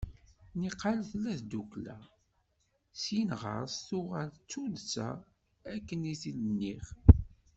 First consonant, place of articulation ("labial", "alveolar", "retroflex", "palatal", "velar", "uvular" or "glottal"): alveolar